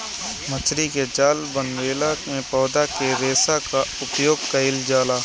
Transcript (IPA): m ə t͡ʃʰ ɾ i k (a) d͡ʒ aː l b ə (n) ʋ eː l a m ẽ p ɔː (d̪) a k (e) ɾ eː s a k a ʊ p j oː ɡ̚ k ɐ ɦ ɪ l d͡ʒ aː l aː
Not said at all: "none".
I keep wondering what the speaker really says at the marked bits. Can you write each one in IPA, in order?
e, n, d̪, e

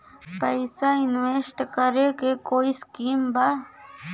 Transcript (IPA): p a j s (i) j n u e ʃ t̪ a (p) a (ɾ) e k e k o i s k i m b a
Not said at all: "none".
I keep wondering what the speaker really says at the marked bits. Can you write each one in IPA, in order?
a, k, ɾ

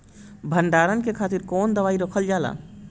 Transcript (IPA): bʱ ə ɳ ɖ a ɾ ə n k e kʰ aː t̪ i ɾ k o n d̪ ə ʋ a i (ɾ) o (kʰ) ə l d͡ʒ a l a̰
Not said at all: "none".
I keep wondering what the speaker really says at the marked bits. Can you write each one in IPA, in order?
ɾ, kʰ

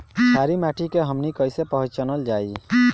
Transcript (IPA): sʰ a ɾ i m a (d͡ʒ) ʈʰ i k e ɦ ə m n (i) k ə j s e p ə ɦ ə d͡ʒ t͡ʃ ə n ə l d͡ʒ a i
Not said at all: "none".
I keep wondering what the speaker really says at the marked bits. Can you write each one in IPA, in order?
none, i

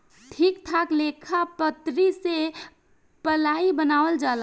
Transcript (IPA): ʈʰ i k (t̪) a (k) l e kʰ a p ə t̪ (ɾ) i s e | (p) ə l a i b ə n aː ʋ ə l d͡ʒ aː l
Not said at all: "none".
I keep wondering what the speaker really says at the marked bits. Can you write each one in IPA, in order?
t̪ʰ, k, ɾ, p

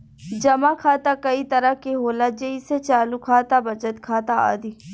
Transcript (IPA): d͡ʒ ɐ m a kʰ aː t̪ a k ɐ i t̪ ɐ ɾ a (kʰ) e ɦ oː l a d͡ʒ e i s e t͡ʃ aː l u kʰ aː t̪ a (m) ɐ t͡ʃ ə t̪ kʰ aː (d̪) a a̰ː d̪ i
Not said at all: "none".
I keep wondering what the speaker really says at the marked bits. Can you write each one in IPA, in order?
k, b, t̪

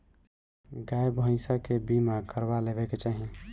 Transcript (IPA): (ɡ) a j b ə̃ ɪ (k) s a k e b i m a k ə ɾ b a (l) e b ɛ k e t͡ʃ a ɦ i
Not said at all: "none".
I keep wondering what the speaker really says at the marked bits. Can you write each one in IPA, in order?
ɡ, none, l

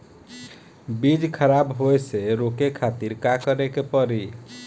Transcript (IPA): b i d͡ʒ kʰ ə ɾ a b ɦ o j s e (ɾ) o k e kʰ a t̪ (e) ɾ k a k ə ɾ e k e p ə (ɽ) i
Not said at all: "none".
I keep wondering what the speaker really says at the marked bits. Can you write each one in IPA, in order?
ɾ, i, ɾ

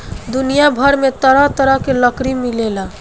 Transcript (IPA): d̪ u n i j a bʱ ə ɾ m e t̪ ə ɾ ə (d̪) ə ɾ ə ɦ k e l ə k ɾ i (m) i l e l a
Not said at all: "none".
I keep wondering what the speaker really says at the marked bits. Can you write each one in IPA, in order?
t̪, m

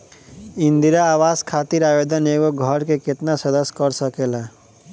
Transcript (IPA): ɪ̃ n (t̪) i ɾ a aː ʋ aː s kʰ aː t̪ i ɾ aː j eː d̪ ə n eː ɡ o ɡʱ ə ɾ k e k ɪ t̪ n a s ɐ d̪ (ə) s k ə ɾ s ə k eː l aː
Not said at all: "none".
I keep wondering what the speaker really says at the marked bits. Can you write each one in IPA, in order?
d̪, ə

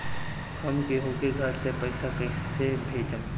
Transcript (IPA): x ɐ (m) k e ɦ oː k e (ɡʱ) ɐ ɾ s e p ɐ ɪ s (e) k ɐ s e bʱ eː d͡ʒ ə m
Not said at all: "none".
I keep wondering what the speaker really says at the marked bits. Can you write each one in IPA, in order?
m, ɡʱ, a

